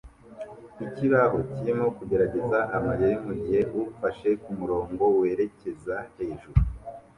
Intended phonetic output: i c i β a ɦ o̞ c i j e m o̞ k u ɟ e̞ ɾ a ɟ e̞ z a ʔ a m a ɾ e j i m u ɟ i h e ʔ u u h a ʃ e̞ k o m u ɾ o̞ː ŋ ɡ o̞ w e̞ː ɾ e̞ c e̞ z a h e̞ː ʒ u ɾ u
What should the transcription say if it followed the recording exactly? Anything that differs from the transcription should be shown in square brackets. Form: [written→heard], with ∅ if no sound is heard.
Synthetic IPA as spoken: i c i β a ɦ o̞ c i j e m o̞ k u ɟ e̞ ɾ a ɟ e̞ z a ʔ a m a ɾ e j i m u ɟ i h e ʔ u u [h→f] a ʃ e̞ k [o→u] m u ɾ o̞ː ŋ ɡ o̞ w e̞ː ɾ e̞ c e̞ z a h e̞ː ʒ u ɾ u